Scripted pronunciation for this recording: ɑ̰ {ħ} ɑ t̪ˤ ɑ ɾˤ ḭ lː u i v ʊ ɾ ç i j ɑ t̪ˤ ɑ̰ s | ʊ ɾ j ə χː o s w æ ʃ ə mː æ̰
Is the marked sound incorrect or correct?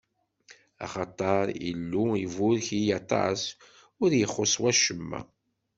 incorrect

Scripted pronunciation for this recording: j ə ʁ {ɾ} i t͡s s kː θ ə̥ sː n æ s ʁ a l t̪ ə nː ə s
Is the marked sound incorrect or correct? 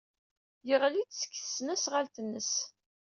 incorrect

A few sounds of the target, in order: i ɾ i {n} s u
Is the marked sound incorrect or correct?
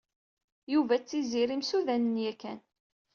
incorrect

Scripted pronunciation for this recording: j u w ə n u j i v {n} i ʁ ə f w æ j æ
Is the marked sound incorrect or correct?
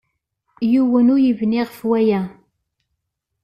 correct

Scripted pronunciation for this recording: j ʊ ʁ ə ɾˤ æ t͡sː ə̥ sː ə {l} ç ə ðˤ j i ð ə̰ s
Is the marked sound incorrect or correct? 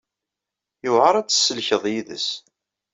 correct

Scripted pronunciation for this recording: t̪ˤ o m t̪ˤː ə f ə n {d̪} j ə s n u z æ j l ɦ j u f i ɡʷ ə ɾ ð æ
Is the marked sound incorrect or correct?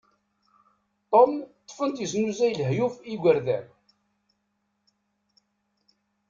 incorrect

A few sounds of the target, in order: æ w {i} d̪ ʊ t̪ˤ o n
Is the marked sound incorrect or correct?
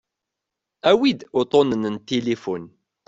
correct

